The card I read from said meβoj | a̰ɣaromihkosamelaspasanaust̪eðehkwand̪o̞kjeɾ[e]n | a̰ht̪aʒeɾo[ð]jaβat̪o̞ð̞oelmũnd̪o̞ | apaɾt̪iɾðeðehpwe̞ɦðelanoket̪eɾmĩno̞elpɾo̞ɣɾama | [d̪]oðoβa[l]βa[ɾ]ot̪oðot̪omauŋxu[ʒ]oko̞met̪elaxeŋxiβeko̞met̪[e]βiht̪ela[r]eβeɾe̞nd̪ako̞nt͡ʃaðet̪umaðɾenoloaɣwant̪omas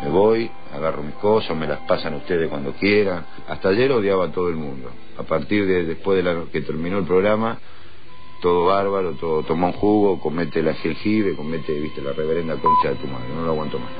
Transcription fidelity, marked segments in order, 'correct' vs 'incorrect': incorrect: a, correct, incorrect: t̪, incorrect: ɾ, correct, incorrect: ɣ, correct, correct

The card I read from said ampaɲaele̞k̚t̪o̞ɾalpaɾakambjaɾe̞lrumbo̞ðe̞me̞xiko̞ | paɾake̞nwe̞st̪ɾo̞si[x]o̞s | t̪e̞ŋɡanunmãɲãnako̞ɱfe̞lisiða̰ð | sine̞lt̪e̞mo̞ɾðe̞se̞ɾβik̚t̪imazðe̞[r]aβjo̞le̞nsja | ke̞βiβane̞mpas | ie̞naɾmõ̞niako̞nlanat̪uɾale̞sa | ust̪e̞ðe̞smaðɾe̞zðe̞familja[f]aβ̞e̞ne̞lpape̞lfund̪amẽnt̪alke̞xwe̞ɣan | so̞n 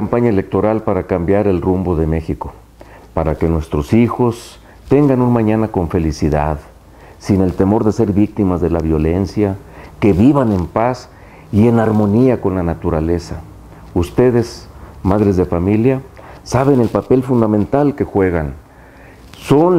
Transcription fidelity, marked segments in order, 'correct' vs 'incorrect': correct, incorrect: l, incorrect: s

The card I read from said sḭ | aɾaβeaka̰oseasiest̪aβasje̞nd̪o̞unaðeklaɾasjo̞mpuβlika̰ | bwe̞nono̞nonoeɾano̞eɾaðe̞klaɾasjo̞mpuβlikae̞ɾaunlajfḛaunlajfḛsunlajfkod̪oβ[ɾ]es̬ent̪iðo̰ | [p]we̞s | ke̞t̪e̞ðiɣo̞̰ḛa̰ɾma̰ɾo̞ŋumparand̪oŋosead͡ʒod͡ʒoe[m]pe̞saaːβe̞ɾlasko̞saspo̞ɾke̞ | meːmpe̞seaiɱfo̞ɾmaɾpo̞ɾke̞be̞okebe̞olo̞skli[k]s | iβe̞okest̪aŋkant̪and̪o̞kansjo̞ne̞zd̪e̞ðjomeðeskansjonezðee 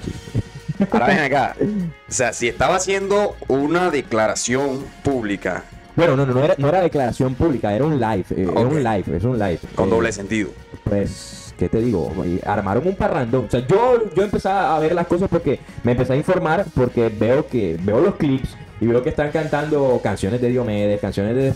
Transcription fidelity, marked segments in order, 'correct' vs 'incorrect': incorrect: l, correct, correct, incorrect: p

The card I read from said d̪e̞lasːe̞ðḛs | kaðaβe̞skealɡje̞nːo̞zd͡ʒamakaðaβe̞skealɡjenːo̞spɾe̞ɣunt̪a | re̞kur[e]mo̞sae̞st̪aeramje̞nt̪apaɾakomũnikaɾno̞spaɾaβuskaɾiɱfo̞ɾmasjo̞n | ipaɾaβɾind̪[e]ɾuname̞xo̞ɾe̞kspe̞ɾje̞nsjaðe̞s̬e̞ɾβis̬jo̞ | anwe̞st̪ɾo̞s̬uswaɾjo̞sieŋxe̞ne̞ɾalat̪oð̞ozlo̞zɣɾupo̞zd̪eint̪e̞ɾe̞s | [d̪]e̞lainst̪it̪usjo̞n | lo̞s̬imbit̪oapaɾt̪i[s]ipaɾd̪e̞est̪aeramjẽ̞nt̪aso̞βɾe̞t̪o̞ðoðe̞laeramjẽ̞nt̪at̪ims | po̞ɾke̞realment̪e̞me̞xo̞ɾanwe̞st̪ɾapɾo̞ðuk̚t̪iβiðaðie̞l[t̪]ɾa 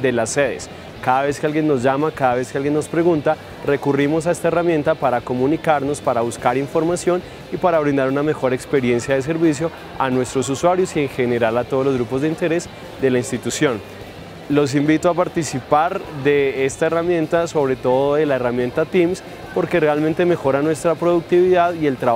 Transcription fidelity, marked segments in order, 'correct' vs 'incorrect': incorrect: i, incorrect: a, correct, correct, correct

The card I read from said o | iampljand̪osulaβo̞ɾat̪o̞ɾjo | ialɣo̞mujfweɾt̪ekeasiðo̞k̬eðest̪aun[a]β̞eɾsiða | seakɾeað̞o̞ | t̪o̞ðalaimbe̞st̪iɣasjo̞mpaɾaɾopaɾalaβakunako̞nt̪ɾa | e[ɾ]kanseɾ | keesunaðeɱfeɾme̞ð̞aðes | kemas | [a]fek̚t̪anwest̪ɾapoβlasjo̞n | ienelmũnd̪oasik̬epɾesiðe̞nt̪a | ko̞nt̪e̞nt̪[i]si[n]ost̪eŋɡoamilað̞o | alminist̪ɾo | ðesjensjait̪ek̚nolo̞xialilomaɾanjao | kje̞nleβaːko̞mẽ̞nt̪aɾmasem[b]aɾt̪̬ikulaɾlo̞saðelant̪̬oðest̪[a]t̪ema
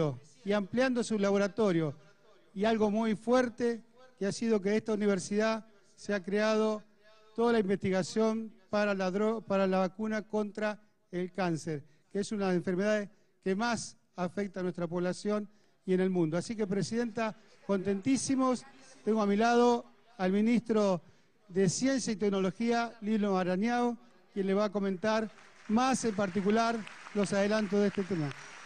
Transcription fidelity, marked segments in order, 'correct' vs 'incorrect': incorrect: i, incorrect: l, correct, correct, incorrect: m, incorrect: p, incorrect: e

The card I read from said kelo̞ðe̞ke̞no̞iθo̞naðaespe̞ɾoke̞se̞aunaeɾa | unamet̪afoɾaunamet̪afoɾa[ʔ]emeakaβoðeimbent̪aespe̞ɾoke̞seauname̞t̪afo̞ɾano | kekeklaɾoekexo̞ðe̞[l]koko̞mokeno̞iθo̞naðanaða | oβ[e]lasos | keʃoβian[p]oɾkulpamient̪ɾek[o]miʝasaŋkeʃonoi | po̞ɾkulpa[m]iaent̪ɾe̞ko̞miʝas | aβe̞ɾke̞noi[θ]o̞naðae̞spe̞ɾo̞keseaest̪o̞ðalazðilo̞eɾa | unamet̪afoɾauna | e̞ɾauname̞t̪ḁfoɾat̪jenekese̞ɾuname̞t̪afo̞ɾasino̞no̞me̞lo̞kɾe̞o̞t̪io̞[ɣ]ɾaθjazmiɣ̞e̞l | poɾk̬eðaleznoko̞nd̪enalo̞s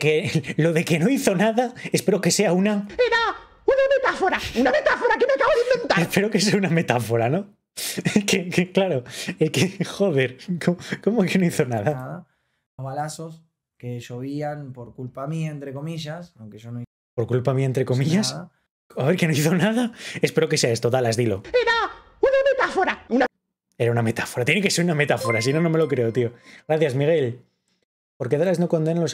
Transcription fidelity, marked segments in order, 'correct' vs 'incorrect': incorrect: k, incorrect: ɾ, incorrect: a, correct, correct, correct, correct, correct

